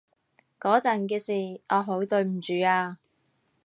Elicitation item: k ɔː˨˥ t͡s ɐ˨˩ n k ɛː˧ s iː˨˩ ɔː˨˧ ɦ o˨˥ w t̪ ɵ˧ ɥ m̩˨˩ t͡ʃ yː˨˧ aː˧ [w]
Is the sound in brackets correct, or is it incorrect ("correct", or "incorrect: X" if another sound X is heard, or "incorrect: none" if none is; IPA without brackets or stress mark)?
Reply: incorrect: none